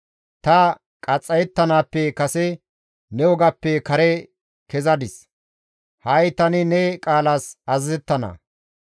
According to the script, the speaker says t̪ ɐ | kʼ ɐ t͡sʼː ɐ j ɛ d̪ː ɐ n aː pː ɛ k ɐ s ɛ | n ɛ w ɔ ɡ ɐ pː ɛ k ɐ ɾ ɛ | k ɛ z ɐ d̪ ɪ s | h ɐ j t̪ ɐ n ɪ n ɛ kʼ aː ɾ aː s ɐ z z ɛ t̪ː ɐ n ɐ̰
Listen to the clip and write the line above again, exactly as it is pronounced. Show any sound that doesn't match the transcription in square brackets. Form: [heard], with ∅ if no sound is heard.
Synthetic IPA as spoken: t̪ ɐ | kʼ ɐ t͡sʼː ɐ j ɛ [t̪ː] ɐ n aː pː ɛ k ɐ s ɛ | n ɛ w ɔ ɡ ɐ pː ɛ k ɐ ɾ ɛ | k ɛ z ɐ d̪ ɪ s | h ɐ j t̪ ɐ n ɪ n ɛ kʼ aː [l] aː s ɐ z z ɛ t̪ː ɐ n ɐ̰